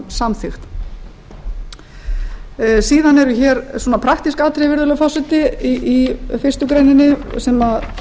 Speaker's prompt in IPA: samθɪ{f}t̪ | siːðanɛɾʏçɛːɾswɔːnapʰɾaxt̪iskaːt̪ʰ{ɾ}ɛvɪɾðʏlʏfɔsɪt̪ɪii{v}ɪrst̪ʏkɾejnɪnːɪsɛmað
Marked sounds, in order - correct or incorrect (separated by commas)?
incorrect, correct, incorrect